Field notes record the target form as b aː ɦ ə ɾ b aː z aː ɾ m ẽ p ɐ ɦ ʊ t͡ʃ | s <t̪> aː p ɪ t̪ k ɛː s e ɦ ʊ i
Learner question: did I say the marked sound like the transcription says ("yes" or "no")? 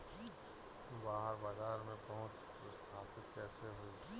no